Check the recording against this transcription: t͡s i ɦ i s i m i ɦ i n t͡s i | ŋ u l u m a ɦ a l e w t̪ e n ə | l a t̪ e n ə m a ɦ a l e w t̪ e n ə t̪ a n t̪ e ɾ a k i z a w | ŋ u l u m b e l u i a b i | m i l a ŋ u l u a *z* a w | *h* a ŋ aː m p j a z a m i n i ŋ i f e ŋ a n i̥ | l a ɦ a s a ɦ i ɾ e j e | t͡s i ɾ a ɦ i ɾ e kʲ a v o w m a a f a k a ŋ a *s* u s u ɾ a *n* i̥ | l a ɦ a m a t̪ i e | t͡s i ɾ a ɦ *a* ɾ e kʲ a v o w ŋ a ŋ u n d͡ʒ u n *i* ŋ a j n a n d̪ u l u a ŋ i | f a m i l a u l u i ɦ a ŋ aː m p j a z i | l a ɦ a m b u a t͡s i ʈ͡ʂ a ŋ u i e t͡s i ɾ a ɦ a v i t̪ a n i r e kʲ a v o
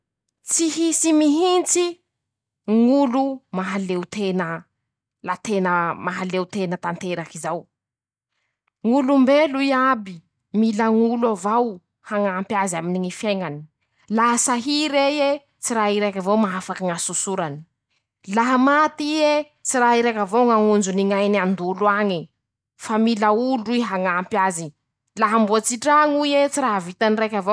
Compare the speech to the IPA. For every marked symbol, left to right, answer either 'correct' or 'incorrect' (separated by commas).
incorrect, correct, correct, correct, incorrect, correct